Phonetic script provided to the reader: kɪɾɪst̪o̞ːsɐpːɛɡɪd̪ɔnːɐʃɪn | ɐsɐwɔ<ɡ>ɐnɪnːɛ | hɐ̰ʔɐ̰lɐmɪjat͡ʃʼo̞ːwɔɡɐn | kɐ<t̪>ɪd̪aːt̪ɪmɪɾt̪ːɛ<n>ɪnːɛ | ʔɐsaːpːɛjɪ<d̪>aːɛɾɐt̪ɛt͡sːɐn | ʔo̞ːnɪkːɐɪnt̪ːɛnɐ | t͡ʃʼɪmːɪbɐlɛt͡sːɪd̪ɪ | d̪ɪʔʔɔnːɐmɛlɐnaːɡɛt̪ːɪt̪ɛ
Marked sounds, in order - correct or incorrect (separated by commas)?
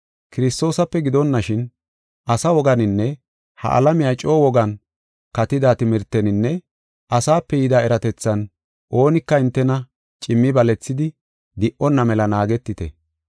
correct, correct, correct, correct